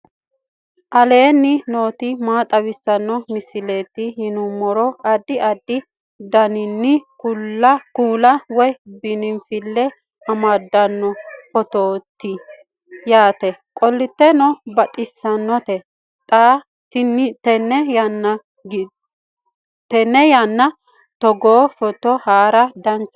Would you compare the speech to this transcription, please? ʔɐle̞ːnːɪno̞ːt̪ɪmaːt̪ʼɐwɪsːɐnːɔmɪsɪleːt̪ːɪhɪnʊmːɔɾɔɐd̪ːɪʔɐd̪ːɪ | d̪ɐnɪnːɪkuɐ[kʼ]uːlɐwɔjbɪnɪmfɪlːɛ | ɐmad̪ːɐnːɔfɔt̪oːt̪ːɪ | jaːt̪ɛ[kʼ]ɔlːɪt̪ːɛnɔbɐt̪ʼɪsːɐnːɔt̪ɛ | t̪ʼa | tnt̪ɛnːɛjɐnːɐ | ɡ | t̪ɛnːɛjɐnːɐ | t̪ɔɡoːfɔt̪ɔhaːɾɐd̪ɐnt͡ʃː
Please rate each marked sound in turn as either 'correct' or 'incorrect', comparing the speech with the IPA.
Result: incorrect, correct

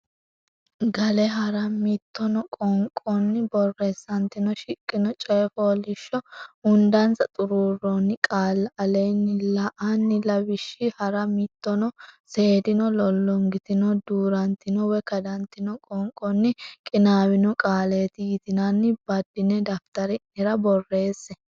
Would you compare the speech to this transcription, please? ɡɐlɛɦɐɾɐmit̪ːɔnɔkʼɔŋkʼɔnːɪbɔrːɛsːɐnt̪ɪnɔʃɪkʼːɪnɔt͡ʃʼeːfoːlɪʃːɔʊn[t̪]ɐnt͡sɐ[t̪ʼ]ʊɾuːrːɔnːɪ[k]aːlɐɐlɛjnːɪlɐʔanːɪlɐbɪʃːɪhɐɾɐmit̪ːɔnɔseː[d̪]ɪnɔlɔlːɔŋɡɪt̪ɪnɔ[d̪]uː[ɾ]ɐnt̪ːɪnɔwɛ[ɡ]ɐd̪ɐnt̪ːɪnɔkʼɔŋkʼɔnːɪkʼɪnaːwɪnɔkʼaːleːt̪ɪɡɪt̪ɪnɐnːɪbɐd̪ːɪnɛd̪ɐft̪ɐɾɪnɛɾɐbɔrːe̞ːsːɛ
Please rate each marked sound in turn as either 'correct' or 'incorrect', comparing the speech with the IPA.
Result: incorrect, correct, incorrect, correct, correct, correct, incorrect

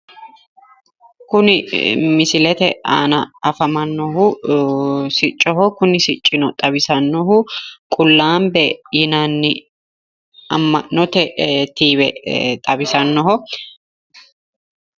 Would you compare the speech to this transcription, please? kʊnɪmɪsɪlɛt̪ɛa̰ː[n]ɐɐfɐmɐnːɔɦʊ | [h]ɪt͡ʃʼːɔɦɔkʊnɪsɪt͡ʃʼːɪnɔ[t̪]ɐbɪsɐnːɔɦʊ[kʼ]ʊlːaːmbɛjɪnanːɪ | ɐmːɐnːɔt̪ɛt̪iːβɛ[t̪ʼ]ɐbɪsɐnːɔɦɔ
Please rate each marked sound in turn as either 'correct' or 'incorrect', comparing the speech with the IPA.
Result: correct, incorrect, incorrect, correct, correct

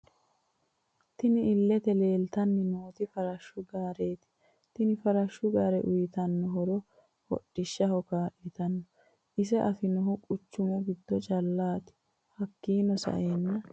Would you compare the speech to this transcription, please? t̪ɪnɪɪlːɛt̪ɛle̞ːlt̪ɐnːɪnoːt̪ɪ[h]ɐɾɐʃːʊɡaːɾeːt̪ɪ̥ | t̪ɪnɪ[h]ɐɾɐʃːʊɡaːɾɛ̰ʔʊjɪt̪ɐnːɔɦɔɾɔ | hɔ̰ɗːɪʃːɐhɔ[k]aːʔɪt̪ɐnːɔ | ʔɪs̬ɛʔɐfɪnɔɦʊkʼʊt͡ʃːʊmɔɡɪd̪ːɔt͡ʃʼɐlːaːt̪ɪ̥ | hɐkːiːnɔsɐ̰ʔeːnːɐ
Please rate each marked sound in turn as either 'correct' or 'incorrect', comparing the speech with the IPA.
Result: incorrect, incorrect, correct

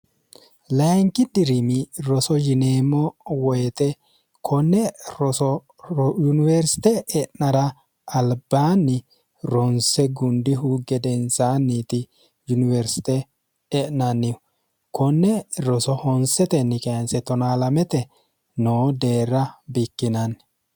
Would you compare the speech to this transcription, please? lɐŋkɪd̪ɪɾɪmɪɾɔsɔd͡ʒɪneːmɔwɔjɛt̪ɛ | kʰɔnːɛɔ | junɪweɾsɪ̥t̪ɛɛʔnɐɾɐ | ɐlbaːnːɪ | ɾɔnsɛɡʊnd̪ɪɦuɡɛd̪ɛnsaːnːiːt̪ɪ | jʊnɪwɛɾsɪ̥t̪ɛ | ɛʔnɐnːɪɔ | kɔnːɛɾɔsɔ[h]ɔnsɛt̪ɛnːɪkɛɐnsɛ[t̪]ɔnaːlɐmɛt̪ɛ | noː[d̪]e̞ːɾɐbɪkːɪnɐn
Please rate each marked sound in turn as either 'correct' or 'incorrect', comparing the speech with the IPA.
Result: correct, correct, correct

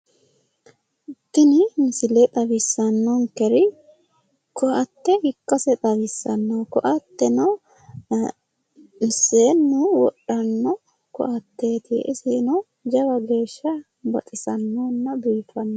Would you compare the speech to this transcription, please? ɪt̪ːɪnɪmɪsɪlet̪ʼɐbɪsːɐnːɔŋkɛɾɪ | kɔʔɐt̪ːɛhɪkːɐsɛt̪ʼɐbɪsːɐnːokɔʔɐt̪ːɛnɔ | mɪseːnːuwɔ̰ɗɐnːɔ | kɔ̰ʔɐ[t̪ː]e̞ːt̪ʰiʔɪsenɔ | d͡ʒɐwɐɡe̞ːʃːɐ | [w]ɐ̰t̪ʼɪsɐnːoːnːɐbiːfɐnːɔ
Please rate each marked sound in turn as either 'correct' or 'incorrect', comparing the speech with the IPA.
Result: correct, incorrect

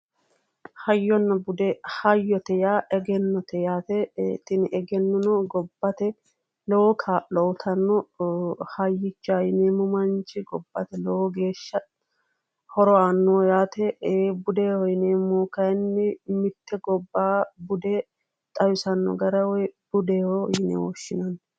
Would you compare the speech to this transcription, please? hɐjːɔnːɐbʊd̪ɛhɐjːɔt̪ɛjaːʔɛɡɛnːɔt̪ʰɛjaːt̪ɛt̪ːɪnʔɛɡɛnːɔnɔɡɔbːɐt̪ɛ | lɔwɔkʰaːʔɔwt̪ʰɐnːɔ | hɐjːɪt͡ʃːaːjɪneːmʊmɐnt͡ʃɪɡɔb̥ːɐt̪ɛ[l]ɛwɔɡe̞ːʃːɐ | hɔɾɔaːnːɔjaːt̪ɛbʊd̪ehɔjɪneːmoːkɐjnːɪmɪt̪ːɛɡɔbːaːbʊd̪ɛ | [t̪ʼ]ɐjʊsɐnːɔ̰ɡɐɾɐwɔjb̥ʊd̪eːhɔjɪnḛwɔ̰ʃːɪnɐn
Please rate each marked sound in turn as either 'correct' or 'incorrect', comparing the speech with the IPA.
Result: correct, correct

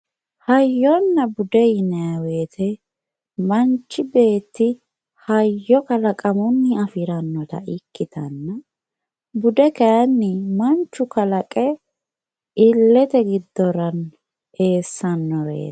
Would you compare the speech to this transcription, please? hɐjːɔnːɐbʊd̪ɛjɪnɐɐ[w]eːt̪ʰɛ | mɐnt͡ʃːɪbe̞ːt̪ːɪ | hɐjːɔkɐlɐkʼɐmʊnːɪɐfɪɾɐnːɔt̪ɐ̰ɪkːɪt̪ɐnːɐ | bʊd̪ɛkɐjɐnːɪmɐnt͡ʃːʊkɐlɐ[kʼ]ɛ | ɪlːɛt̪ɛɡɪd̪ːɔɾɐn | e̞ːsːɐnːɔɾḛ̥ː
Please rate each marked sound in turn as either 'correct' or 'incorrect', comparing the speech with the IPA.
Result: correct, correct

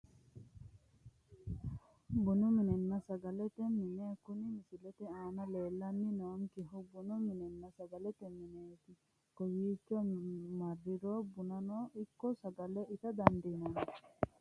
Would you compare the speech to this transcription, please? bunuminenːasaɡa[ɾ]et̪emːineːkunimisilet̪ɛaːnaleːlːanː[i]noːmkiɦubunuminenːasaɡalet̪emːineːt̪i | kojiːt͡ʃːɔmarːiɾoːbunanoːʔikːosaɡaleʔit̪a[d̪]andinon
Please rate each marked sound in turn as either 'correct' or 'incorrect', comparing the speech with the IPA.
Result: incorrect, correct, correct

